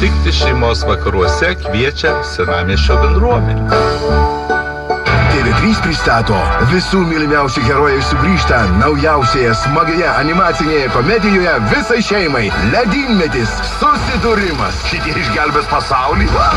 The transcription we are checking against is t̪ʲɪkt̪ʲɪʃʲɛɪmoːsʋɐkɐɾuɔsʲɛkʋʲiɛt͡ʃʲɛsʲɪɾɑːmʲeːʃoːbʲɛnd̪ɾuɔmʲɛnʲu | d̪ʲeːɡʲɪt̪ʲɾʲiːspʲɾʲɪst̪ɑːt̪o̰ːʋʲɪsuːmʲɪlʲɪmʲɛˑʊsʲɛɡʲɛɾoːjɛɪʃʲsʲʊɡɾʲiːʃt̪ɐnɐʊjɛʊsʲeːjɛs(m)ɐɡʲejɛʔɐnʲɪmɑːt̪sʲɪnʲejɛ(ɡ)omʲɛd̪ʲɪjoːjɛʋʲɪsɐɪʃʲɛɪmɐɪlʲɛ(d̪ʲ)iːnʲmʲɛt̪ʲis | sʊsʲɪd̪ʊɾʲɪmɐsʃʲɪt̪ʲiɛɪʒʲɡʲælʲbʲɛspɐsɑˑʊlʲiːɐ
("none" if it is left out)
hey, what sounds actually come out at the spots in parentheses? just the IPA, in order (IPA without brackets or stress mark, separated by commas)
m, k, d̪ʲ